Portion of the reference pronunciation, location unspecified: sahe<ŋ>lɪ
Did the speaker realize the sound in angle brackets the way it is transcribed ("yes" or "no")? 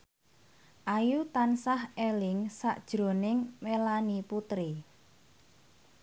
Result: no